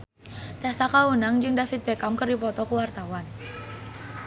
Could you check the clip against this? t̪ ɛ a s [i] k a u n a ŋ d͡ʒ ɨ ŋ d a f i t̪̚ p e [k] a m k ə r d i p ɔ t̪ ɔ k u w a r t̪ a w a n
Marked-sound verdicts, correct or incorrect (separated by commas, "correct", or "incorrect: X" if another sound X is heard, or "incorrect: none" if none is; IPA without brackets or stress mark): incorrect: a, correct